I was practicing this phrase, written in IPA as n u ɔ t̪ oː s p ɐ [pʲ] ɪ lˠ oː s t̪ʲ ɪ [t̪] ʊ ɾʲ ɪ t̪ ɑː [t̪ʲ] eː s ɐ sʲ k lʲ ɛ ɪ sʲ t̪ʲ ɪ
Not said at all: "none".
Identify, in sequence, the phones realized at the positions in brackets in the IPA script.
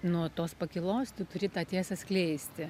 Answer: kʲ, t̪, t̪ʲ

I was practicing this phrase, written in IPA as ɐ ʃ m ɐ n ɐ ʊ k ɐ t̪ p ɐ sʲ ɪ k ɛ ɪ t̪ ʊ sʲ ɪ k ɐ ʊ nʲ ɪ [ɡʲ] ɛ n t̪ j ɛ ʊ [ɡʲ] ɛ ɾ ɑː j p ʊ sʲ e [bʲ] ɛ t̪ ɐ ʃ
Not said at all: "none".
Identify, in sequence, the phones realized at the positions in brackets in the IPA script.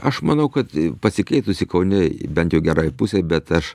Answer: bʲ, ɡʲ, bʲ

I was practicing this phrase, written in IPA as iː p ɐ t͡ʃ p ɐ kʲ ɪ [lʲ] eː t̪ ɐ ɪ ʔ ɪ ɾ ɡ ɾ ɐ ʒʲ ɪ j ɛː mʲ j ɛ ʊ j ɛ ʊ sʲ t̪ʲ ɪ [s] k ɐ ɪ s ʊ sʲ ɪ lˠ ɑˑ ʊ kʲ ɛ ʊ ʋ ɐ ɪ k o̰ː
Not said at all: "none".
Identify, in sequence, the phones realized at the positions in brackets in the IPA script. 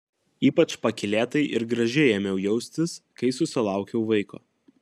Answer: lʲ, s

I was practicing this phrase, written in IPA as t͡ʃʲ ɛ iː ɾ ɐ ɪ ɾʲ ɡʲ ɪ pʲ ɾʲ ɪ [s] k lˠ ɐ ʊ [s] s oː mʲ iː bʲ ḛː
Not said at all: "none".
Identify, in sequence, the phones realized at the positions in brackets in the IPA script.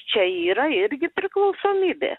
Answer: none, s

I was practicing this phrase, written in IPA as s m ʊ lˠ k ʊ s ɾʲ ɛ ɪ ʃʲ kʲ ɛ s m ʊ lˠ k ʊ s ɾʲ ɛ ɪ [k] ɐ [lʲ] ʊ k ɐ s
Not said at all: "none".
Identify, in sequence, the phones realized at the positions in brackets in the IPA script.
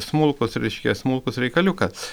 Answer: k, lʲ

